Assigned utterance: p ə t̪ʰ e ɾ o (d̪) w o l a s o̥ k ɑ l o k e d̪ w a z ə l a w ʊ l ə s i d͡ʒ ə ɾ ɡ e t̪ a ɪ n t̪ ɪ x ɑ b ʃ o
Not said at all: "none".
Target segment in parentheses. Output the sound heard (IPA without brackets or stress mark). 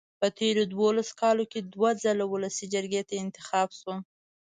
d̪